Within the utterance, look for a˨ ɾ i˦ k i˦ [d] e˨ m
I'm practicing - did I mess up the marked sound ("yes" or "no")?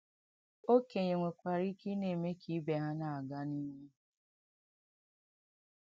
yes